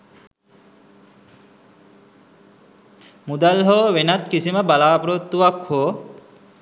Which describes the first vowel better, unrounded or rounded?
rounded